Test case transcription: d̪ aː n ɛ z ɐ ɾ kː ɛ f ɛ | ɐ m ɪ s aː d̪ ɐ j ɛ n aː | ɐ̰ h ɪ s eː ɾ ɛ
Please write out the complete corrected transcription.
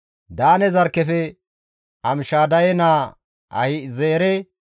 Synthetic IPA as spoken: d̪ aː n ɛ z ɐ ɾ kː ɛ f ɛ | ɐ m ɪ ʃ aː d̪ ɐ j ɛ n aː | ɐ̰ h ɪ z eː ɾ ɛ